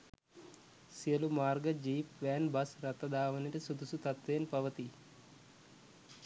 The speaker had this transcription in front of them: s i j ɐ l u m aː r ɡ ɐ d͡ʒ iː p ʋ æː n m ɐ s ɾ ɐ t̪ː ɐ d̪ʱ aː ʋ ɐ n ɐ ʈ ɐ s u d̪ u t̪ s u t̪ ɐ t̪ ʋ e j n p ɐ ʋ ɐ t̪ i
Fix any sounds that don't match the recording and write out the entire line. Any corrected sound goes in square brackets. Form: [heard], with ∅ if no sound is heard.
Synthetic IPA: s i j ɐ l u m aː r ɡ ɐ d͡ʒ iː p ʋ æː n [b] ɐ s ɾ ɐ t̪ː ɐ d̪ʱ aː ʋ ɐ n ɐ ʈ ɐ s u d̪ u [∅] s u t̪ ɐ t̪ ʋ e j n p ɐ ʋ ɐ t̪ i